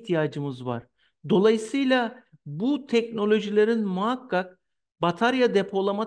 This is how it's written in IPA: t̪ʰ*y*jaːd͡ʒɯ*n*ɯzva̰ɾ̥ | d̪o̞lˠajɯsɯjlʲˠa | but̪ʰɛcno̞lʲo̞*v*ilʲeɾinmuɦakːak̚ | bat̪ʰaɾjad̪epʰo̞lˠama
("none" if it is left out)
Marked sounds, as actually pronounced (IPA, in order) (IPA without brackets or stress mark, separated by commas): i, m, ʒ